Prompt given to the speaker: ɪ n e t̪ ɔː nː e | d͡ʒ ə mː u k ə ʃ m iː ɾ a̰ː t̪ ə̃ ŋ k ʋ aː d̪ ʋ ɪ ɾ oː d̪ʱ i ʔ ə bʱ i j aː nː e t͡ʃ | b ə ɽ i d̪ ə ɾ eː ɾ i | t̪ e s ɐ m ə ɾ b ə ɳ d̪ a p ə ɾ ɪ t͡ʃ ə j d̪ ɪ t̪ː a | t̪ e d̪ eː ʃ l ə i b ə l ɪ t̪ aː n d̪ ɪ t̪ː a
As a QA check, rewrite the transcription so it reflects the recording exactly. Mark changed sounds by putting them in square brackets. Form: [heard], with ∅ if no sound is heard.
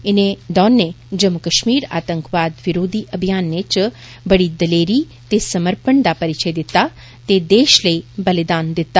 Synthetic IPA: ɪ n e [d̪] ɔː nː e | d͡ʒ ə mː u k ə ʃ m iː ɾ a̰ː t̪ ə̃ ŋ k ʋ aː d̪ ʋ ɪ ɾ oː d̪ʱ i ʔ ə bʱ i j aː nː e t͡ʃ | b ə ɽ i d̪ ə [l] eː ɾ i | t̪ e s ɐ m ə ɾ [p] ə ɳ d̪ a p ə ɾ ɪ t͡ʃ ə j d̪ ɪ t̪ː a | t̪ e d̪ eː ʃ l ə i b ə l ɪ [d̪] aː n d̪ ɪ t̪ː a